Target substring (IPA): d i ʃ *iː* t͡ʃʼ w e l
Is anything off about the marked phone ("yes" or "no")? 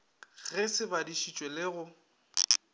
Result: yes